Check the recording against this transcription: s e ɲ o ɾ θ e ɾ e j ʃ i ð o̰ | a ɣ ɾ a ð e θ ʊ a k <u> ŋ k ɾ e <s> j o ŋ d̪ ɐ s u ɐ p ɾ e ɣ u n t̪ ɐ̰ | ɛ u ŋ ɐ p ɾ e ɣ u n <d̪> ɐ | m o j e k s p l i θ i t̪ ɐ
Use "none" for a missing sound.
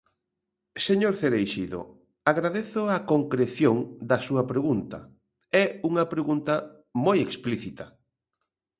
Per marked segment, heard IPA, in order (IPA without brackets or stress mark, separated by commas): o, θ, t̪